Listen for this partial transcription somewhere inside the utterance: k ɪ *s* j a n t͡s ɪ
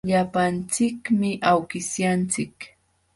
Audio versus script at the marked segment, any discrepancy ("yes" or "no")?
no